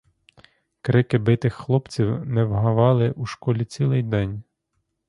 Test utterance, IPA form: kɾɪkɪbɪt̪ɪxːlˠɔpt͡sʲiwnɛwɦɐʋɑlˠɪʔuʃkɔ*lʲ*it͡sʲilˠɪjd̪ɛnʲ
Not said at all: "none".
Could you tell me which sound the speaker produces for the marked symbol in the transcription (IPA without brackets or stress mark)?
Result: lʲ